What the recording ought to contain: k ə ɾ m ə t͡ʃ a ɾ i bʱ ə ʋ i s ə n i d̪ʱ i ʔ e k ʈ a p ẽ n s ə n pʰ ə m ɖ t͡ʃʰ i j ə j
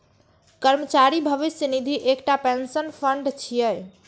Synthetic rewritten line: k ə ɾ m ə t͡ʃ a ɾ i bʱ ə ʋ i s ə n i d̪ʱ i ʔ e k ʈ a p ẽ n s ə n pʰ ə ɳ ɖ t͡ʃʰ i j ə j